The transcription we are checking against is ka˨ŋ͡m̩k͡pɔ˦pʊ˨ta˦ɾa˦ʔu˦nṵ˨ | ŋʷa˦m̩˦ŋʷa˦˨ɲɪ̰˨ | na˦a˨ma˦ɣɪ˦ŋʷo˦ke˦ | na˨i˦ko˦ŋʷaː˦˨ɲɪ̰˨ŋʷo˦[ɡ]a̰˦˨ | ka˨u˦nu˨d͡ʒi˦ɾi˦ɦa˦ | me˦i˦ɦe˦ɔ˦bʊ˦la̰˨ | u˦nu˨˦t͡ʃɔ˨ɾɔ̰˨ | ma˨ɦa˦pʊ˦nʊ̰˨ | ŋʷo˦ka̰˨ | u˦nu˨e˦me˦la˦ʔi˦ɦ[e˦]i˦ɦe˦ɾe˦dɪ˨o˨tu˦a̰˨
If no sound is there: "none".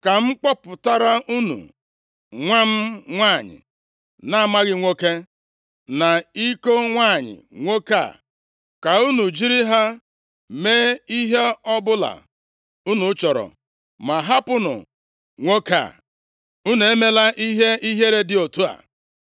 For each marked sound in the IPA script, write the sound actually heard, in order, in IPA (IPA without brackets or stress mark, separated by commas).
k, e˦